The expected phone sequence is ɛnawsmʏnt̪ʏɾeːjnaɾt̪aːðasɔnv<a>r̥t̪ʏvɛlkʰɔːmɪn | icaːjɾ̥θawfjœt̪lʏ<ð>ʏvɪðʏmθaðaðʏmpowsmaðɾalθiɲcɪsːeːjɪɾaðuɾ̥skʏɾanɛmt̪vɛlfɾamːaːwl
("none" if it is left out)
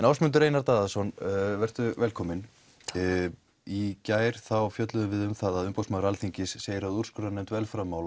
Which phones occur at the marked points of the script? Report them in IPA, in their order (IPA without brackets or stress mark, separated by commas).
ɛ, ð